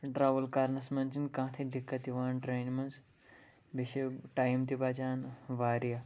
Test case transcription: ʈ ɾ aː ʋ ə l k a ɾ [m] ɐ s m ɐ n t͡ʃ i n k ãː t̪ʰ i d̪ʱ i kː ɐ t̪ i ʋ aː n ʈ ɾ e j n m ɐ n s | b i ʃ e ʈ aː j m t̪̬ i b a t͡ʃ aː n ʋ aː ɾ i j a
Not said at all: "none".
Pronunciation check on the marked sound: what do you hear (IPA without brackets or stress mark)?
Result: n